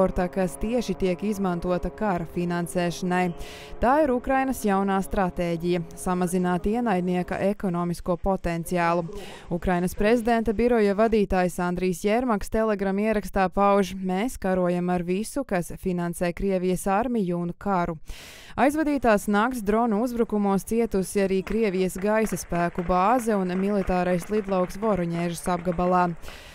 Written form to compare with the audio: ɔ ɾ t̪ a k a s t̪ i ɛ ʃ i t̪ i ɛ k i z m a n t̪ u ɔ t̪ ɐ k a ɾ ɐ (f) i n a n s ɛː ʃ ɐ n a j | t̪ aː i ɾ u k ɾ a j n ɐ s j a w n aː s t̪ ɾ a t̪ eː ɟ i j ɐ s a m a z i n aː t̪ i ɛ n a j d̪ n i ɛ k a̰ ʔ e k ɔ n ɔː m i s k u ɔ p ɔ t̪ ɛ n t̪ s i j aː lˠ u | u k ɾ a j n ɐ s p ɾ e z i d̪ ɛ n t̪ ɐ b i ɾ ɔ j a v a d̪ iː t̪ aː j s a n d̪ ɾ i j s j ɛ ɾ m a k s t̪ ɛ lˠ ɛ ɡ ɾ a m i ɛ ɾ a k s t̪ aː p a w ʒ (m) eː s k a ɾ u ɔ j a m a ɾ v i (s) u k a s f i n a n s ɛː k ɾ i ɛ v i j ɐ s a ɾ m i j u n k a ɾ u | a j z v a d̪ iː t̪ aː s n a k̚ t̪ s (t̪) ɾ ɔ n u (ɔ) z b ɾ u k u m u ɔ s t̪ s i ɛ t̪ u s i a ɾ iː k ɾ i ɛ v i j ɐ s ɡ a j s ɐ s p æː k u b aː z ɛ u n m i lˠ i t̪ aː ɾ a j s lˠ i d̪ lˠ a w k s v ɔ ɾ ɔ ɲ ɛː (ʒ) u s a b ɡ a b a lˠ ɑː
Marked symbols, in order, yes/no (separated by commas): yes, yes, yes, no, no, yes